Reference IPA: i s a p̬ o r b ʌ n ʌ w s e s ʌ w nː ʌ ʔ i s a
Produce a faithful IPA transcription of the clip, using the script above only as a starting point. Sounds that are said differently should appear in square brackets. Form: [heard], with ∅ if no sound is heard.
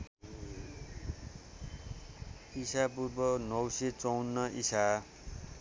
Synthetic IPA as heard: i s a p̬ [u] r b ʌ n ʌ w s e [t͡s] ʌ w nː ʌ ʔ i s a

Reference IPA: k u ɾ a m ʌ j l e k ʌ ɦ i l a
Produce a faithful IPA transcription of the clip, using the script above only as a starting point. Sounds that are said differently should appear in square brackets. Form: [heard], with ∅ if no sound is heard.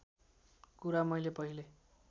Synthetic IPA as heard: k u ɾ a m ʌ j l e [p] ʌ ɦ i l [e]

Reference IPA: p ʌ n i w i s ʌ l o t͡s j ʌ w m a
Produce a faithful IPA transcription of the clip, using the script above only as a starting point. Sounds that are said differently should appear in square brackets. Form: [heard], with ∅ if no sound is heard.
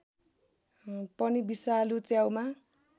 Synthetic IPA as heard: p ʌ n i [b] i s [a] l [u] t͡s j [a] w m a

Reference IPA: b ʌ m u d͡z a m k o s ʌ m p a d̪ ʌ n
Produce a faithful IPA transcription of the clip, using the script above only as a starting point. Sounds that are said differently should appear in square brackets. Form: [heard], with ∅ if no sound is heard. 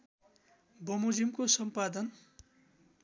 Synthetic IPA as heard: b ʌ m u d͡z [i] m k o s ʌ m p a d̪ ʌ n

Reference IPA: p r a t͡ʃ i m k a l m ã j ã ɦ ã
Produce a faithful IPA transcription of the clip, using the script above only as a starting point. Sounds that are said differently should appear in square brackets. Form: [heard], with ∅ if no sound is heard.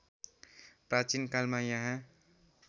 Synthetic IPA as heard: p [ɾ] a t͡ʃ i [n] k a l m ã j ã ɦ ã

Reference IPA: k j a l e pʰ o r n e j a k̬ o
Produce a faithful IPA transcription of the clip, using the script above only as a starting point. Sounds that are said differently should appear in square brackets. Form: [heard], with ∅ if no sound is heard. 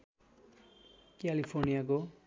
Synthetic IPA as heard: k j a l [i] pʰ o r n [i] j a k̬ o

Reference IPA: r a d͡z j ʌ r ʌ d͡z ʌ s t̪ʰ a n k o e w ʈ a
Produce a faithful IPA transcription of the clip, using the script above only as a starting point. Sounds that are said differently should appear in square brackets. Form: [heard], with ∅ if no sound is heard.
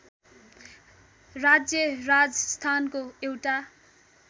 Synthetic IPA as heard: r a d͡z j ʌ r [a] d͡z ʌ s t̪ʰ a n k o e w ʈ a

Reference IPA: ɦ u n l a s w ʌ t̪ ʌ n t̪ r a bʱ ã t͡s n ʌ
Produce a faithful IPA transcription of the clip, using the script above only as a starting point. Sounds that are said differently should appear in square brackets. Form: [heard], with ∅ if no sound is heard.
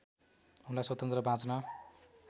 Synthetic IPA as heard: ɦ u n l a s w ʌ t̪ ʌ n t̪ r [ʌ] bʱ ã t͡s n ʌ

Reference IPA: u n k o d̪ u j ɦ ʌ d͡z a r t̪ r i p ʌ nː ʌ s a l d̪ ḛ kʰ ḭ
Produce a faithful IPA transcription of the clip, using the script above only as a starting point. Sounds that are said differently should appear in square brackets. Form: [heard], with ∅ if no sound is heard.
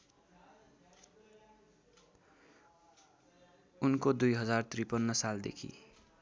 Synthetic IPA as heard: u n k o d̪ u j ɦ ʌ d͡z a r t̪ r i p ʌ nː ʌ s a l d̪ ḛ kʰ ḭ

